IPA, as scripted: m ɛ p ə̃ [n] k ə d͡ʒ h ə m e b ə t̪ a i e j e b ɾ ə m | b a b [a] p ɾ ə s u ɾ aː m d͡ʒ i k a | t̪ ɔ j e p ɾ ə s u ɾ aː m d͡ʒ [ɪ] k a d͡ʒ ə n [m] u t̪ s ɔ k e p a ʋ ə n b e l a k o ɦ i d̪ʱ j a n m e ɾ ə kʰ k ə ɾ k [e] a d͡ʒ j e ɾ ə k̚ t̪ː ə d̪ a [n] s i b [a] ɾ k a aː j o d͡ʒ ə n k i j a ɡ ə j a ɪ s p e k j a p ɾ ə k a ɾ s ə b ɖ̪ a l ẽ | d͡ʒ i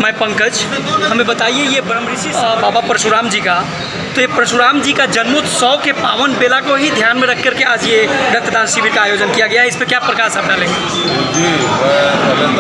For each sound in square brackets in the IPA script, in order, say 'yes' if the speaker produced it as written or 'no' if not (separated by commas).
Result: no, yes, no, yes, yes, yes, no